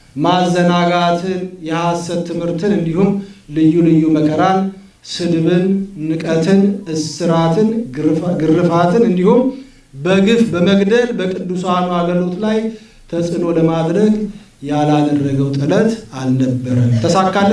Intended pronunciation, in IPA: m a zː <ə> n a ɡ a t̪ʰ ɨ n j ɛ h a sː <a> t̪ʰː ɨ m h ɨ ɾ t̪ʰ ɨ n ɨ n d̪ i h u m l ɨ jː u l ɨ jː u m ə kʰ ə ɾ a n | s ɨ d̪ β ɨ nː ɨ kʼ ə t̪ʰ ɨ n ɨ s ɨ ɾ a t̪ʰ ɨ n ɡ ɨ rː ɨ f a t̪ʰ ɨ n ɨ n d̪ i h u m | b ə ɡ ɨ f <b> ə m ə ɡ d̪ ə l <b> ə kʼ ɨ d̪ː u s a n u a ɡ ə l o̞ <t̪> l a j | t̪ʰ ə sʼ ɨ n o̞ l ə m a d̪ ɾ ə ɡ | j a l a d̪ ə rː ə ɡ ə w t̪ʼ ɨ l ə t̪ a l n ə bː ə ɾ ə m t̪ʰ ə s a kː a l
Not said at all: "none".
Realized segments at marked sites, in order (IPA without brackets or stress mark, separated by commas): ə, ə, b, b, t̪